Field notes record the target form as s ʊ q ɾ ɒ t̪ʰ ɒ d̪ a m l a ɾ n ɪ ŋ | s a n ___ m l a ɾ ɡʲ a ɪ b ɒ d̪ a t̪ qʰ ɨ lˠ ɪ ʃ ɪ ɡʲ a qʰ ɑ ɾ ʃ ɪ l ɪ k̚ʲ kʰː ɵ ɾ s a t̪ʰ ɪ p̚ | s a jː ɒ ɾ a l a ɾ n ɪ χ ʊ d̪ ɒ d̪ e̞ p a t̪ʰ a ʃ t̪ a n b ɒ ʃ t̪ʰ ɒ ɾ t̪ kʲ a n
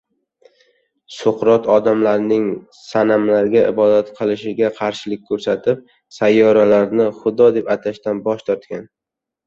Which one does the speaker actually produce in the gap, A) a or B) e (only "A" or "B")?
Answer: A